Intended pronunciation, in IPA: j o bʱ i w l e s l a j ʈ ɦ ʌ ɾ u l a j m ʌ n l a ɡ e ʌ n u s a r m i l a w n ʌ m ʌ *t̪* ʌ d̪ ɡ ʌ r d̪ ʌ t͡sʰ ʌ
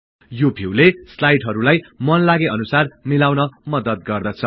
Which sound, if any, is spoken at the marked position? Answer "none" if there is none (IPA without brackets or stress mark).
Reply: d̪